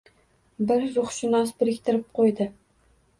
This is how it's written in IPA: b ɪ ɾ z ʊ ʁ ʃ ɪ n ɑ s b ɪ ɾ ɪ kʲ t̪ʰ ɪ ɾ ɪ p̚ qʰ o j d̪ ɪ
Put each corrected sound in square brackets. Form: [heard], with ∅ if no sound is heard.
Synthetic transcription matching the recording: b ɪ ɾ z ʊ [χ] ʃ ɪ n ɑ s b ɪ ɾ ɪ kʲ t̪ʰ ɪ ɾ ɪ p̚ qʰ o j d̪ ɪ

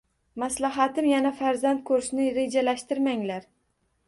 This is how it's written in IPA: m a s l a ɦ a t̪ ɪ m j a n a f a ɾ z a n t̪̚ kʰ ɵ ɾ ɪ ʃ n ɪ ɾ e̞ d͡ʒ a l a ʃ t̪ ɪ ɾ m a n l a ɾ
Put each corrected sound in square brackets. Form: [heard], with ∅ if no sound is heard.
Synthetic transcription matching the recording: m a s l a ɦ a t̪ ɪ m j a n a f a ɾ z a n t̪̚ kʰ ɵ ɾ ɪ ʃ n ɪ ɾ e̞ d͡ʒ a l a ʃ t̪ ɪ ɾ m a [ŋ] l a ɾ

